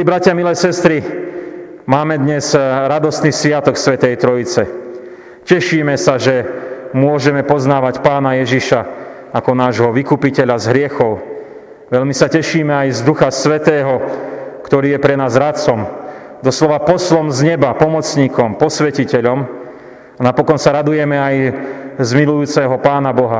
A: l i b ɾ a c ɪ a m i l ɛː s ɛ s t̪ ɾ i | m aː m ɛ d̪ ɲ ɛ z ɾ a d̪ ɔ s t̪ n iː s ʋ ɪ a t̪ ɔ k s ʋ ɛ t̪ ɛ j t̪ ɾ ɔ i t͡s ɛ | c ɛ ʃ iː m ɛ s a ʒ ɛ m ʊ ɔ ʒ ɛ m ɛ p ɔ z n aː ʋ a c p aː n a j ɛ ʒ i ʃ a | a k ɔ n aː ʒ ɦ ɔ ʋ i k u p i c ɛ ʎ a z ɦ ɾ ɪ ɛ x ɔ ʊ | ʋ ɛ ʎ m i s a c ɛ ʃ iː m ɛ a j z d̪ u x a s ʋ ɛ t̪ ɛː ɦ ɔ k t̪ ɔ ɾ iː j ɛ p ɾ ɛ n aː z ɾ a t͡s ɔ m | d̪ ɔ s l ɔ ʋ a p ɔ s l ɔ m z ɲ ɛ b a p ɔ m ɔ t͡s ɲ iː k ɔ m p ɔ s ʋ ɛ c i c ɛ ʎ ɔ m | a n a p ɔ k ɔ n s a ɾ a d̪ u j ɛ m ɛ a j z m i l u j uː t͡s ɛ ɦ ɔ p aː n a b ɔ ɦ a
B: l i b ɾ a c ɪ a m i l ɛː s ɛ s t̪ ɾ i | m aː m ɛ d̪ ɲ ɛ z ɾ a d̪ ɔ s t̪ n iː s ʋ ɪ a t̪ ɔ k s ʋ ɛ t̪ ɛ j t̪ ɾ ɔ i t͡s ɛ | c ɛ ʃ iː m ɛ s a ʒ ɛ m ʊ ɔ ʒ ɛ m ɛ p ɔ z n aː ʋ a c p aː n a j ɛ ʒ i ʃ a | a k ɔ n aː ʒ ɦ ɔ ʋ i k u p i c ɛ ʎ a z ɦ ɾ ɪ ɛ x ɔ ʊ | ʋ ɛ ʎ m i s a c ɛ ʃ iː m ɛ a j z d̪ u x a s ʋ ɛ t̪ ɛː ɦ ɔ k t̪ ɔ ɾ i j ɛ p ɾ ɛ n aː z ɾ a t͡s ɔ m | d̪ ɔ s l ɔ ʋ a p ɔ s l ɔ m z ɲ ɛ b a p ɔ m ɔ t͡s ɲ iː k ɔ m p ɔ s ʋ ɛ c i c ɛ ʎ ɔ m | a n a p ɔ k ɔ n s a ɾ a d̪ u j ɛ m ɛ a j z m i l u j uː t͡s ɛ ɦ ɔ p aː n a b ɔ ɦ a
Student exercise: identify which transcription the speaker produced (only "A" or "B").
A